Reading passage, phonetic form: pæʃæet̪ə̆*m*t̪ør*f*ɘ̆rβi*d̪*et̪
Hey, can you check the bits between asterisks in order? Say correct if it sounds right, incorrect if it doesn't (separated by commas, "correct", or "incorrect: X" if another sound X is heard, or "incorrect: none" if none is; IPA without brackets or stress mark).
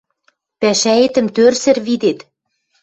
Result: correct, incorrect: s, correct